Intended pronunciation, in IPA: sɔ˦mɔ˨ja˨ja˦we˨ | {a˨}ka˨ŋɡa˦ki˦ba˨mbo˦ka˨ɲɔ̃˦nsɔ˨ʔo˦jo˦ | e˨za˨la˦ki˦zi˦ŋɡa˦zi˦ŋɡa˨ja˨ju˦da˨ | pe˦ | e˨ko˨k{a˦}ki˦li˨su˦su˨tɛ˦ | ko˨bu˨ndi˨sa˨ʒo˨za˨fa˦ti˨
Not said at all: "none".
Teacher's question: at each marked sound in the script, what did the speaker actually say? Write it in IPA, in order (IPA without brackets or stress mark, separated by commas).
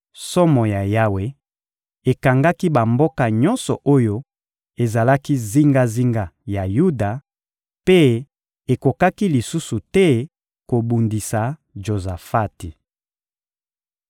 e˨, a˦